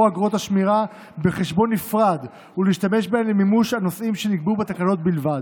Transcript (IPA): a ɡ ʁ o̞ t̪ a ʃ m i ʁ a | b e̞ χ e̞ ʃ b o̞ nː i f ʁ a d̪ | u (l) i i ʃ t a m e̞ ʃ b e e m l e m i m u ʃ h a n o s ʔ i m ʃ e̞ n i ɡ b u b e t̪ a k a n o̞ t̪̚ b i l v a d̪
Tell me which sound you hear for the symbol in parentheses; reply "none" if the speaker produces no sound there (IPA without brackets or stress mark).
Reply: l